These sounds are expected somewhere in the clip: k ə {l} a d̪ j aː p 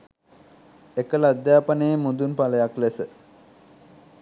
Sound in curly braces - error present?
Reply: no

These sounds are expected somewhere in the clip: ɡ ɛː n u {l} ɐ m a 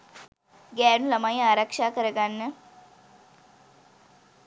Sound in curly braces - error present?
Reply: no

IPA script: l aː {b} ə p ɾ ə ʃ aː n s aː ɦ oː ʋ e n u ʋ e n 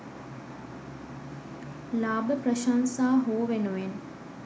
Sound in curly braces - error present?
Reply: no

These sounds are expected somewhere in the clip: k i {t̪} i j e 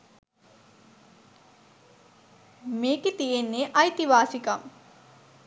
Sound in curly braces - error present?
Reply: no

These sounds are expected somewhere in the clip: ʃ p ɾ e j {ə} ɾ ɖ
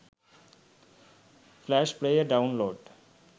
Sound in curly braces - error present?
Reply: no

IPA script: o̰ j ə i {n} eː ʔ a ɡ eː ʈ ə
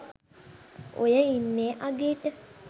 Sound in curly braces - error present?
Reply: yes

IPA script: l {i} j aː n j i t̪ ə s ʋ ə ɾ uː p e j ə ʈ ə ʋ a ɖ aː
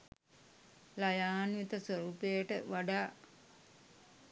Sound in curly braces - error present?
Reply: yes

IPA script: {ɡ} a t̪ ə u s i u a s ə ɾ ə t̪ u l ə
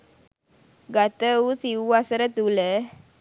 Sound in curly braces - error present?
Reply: no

